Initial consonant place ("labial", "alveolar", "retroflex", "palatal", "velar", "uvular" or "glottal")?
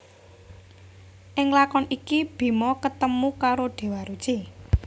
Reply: glottal